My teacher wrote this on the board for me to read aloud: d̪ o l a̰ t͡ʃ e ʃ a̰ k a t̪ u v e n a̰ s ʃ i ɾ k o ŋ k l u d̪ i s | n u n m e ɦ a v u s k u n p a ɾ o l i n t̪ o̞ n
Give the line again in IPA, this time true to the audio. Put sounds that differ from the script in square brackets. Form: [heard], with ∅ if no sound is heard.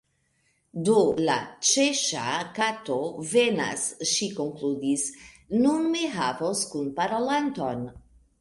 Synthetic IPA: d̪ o l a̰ t͡ʃ e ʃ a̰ k a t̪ [o] v e n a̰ s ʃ i [∅] k o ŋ k l u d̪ i s | n u n m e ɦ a v [o] s k u n p a ɾ o l [a] n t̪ o̞ n

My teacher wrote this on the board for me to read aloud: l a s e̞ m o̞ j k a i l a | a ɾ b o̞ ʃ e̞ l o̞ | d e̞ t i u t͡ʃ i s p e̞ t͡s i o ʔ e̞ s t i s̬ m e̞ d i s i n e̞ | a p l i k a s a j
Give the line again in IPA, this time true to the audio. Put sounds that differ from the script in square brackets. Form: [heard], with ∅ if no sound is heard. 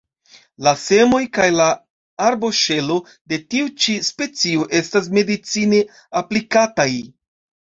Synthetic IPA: l a s e̞ m o̞ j k a [j] l a | a ɾ b o̞ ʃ e̞ l o̞ | d e̞ t i u t͡ʃ i s p e̞ t͡s i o ʔ e̞ s t [a] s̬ m e̞ d i [t͡s] i n e̞ | a p l i k a [t] a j

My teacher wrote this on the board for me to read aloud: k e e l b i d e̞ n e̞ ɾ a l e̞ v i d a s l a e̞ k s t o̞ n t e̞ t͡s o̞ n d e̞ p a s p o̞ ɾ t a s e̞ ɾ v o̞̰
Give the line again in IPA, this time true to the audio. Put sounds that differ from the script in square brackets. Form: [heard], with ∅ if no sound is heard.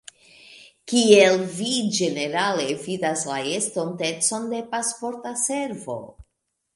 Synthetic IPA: k [i] e l [v] i [d͡ʒ] e̞ n e̞ ɾ a l e̞ v i d a s l a e̞ [∅] s t o̞ n t e̞ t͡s o̞ n d e̞ p a s p o̞ ɾ t a s e̞ ɾ v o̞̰

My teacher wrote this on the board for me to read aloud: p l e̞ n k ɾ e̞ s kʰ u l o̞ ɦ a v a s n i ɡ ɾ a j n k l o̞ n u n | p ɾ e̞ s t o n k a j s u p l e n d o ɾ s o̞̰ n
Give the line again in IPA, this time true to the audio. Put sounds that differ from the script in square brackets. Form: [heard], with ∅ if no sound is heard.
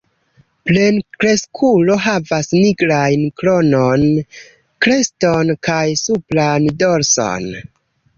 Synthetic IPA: p l e̞ n k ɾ e̞ s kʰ u l o̞ ɦ a v a s n i ɡ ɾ a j n k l o̞ n [o] n | [k] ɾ e̞ s t o n k a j s u p l [a] n d o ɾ s o̞̰ n

